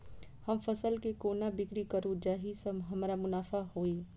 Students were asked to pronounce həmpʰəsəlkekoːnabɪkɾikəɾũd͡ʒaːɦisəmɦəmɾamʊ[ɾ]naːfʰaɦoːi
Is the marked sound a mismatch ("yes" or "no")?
yes